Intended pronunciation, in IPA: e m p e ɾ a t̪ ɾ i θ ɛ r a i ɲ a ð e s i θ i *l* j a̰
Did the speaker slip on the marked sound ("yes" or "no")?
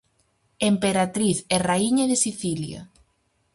no